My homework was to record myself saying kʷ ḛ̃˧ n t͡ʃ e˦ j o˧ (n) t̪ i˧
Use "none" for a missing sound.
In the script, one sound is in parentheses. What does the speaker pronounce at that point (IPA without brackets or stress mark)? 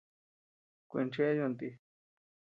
n